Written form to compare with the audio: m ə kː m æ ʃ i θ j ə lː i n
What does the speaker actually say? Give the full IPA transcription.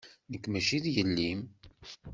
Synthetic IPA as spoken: n ə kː m æ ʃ i ð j ə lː i m